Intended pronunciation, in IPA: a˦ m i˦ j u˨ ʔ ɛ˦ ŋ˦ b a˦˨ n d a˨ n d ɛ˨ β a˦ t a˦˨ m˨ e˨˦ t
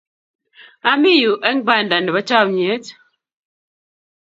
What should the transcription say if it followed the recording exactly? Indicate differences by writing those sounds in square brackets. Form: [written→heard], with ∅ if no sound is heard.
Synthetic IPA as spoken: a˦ m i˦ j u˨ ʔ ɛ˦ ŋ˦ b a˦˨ n d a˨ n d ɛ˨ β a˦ [t→t͡ʃ] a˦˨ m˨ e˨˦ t